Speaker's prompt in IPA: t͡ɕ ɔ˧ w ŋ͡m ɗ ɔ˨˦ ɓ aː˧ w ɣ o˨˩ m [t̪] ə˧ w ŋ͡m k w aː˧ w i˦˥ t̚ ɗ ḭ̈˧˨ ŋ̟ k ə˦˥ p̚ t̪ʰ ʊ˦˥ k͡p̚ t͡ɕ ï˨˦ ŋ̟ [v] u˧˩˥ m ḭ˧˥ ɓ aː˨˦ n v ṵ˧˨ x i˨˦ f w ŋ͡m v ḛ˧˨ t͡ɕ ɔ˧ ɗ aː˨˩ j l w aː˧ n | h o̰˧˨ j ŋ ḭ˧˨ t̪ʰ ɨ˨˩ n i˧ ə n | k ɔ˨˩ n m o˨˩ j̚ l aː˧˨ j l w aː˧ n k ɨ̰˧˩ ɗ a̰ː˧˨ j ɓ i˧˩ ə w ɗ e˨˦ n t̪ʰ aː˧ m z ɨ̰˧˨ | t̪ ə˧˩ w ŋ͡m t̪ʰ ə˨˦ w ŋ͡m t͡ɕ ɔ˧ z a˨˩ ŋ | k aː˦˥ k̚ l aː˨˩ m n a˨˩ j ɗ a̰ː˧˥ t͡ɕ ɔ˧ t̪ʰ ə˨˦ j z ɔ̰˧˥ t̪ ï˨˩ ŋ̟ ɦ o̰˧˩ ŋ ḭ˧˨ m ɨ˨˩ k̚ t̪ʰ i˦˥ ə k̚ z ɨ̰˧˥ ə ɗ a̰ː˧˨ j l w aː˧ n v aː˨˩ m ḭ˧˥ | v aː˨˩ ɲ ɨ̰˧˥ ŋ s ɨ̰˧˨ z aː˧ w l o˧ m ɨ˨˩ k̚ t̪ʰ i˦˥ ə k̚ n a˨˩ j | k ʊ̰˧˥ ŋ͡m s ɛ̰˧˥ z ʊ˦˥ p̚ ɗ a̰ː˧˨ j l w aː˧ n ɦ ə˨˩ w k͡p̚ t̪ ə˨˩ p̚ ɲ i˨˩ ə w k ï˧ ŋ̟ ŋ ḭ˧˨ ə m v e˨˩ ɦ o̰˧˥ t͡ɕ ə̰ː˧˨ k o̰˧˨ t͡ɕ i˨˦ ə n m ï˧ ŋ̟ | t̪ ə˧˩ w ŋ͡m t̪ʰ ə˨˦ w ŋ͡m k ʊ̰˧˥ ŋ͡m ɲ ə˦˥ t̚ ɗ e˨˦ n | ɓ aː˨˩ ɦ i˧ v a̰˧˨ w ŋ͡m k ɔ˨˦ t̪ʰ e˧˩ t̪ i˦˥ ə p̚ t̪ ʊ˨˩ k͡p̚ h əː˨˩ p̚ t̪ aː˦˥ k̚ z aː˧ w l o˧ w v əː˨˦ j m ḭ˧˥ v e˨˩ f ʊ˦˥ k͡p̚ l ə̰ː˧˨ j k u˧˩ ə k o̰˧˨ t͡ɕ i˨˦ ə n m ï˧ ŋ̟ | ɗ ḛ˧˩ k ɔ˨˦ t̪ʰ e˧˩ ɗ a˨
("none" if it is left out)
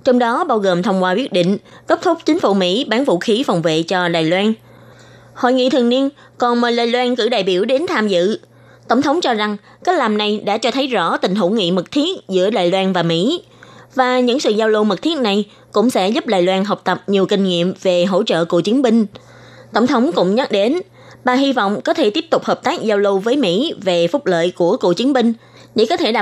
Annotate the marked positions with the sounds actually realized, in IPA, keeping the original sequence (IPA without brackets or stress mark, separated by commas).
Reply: t̪ʰ, f